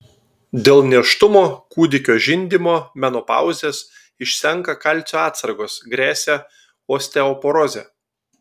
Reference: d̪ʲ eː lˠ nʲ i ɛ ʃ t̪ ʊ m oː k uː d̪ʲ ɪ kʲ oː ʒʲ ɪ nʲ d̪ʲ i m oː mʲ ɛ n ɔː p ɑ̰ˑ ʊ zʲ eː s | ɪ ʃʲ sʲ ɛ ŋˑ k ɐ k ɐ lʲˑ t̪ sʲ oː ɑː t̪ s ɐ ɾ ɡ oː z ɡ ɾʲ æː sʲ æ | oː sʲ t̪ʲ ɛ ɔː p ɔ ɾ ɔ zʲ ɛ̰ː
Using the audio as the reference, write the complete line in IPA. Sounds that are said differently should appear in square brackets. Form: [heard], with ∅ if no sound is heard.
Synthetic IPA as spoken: d̪ʲ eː lˠ nʲ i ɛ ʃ t̪ ʊ m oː k uː d̪ʲ ɪ kʲ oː ʒʲ ɪ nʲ d̪ʲ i m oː mʲ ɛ n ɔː p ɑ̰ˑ ʊ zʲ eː s | ɪ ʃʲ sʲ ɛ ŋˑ k ɐ k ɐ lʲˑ t̪ sʲ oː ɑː t̪ s ɐ ɾ ɡ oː [s] ɡ ɾʲ æː sʲ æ | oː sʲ t̪ʲ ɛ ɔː p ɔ ɾ ɔ zʲ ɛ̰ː